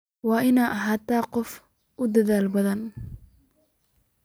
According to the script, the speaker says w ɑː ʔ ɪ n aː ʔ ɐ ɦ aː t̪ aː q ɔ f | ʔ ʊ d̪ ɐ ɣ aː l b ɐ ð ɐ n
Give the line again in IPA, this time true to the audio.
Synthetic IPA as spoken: w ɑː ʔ ɪ n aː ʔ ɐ ɦ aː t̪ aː q ɔ f | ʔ ʊ d̪ ɐ ð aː l b ɐ ð ɐ n